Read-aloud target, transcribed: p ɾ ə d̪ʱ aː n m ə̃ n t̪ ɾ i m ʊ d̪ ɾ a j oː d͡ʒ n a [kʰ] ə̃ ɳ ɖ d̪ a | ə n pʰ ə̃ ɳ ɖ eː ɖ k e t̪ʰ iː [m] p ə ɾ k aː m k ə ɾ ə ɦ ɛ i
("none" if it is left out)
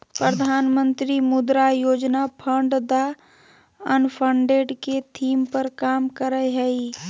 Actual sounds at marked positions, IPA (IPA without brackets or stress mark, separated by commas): pʰ, m